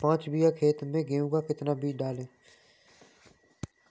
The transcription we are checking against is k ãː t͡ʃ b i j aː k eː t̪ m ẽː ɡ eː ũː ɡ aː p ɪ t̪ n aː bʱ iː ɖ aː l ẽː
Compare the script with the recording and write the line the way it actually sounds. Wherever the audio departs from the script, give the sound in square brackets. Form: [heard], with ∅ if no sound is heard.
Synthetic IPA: [p] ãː t͡ʃ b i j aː [kʰ] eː t̪ m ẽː ɡ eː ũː ɡ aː [k] ɪ t̪ n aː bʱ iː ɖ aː l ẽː